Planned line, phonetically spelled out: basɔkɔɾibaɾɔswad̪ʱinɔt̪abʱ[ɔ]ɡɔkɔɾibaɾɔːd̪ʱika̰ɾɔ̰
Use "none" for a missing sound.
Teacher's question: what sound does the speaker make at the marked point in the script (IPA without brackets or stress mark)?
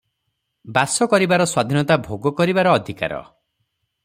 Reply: o